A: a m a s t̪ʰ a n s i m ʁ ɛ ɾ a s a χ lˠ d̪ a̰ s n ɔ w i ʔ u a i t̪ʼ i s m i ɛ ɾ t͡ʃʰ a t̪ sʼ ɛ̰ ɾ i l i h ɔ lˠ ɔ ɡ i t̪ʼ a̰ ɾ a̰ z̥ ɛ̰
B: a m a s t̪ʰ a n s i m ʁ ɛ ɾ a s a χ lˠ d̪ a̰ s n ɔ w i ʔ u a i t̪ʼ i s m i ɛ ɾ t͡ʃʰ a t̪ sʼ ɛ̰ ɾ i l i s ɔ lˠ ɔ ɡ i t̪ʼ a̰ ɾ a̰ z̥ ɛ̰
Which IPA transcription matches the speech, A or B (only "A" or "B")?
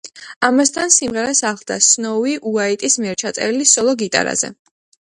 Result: B